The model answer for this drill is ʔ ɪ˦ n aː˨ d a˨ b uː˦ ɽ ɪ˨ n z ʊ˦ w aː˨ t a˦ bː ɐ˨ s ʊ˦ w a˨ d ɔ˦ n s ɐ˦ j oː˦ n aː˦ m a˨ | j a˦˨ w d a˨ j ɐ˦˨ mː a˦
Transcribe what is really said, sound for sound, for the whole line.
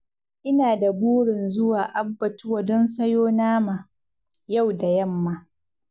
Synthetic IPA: ʔ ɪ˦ n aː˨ d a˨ b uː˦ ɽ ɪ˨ n z ʊ˦ w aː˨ ʔ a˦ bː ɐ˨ t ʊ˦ w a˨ d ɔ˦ n s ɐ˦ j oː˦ n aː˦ m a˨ | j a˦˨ w d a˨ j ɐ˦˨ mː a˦

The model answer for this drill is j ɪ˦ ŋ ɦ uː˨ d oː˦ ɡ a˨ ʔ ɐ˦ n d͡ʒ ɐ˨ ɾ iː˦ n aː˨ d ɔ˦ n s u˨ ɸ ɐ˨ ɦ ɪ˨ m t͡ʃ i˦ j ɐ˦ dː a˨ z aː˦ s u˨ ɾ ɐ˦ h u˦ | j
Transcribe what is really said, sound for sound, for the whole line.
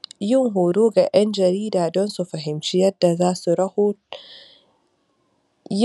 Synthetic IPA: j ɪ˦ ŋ ɦ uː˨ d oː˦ ɡ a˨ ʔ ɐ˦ n d͡ʒ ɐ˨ ɾ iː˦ d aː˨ d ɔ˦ n s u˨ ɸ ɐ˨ ɦ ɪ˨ m t͡ʃ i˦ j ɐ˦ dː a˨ z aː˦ s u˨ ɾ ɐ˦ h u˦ | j

